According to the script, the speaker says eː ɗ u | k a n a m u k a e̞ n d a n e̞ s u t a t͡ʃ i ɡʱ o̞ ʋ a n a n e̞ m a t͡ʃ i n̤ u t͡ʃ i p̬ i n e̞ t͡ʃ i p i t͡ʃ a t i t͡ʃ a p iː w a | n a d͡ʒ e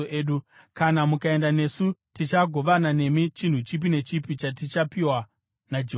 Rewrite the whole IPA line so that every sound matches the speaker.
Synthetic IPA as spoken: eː ɗ u | k a n a m u k a e̞ n d a n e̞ s u t i t͡ʃ a ɡʱ o̞ ʋ a n a n e̞ m i t͡ʃ i n̤ u t͡ʃ i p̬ i n e̞ t͡ʃ i p i t͡ʃ a t i t͡ʃ a p i w a | n a d͡ʒ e